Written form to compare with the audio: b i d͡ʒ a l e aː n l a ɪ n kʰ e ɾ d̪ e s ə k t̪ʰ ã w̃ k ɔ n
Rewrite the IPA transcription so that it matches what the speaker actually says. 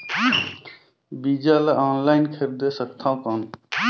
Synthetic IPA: b i d͡ʒ a l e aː n l a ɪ n kʰ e ɾ d̪ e s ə k t̪ʰ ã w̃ k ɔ n